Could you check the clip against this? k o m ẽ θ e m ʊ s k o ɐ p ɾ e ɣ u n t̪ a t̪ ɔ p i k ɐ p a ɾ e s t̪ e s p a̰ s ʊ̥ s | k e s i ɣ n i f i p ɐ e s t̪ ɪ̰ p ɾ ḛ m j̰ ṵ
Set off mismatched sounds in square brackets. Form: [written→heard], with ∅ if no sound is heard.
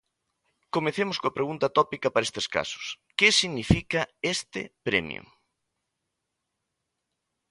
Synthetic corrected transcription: k o m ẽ θ e m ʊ s k o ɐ p ɾ e ɣ u n t̪ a t̪ ɔ p i k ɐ p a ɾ e s t̪ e s [p→k] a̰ s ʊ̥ s | k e s i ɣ n i f i [p→k] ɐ e s t̪ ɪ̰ p ɾ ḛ m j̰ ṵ